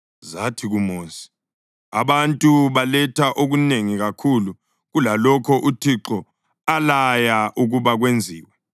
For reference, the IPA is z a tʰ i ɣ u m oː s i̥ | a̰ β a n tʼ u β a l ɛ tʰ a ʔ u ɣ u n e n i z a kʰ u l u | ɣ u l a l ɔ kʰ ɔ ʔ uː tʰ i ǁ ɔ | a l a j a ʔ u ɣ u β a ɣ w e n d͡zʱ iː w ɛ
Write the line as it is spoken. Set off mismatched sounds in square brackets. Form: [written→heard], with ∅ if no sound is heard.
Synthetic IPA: z a tʰ i ɣ u m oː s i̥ | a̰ β a n tʼ u β a l ɛ tʰ a ʔ [u→o] ɣ u n e [n→ŋ] i [z→ɣ] a kʰ u l u | ɣ u l a l ɔ kʰ ɔ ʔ [uː→u] tʰ i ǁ ɔ | a l a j a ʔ u ɣ u β a ɣ w e n d͡zʱ iː w ɛ